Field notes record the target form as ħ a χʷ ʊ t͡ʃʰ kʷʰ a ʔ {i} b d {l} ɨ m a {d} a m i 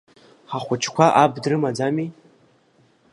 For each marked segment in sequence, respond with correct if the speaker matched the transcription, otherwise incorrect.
incorrect, incorrect, incorrect

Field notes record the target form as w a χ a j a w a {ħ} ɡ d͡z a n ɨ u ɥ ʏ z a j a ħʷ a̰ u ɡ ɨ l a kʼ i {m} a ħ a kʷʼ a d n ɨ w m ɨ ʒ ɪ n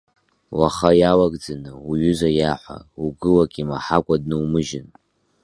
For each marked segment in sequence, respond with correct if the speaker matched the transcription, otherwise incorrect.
incorrect, correct

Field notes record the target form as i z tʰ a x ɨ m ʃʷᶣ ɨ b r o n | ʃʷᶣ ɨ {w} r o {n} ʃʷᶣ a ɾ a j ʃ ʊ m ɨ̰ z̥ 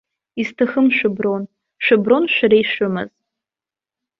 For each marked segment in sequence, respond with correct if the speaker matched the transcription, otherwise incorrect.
incorrect, correct

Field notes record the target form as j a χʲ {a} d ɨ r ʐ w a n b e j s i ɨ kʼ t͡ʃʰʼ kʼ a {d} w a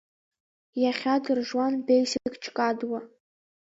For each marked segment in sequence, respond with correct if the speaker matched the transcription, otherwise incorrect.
correct, correct

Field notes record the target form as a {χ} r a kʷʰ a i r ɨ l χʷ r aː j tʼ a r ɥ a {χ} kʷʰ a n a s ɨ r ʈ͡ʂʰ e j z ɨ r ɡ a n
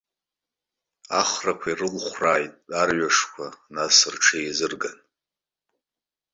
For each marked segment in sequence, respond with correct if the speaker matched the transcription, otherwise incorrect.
correct, incorrect

